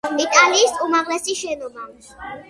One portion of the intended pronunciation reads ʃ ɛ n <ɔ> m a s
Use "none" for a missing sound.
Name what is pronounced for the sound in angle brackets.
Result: ɔ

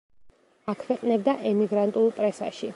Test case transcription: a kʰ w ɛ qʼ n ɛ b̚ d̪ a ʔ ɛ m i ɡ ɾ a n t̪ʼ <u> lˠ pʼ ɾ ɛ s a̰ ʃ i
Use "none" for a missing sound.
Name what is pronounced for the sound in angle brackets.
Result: u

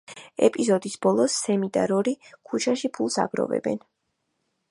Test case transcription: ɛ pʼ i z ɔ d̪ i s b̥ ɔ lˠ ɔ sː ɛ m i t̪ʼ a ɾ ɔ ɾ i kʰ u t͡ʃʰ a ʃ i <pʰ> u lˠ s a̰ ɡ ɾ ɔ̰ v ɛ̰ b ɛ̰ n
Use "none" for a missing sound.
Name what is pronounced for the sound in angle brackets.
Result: pʰ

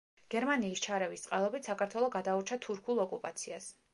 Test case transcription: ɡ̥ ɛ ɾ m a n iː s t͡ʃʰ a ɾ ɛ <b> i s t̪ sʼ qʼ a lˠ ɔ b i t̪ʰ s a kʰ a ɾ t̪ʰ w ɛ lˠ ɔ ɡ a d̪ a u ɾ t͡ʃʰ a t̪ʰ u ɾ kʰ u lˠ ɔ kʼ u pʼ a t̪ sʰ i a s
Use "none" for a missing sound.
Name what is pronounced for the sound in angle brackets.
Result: v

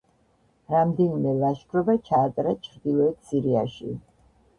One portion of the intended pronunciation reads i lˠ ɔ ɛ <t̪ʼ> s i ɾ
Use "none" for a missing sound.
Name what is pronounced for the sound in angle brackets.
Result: t̪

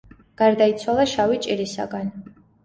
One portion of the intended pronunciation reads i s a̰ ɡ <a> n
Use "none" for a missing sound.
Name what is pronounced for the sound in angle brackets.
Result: a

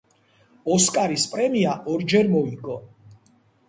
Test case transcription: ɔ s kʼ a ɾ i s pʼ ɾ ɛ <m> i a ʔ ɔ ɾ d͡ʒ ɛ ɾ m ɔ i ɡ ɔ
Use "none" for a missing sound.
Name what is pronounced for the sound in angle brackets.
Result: m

